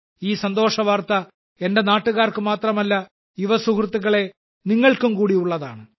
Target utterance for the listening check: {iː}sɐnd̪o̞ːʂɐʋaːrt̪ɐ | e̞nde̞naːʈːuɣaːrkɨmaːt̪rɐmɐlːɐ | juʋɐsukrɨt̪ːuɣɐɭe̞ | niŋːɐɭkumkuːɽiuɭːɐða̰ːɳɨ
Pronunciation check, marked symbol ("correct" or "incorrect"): correct